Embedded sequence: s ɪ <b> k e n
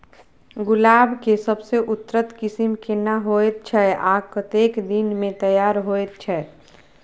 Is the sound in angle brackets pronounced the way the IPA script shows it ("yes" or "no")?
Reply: no